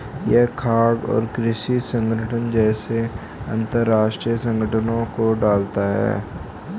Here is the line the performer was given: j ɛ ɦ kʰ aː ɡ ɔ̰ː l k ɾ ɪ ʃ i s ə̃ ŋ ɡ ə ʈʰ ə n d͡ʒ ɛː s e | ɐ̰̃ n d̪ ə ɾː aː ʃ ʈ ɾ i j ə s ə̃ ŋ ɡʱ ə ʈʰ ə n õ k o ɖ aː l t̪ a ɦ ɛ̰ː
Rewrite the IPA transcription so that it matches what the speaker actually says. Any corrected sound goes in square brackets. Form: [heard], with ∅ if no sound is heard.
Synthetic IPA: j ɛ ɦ kʰ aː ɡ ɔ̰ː [ɾ] k ɾ ɪ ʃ i s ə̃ ŋ ɡ ə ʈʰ ə n d͡ʒ ɛː s e | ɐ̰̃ n [t̪] ə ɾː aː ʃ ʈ ɾ i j ə s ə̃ ŋ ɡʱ ə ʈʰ ə n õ k o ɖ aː l t̪ a ɦ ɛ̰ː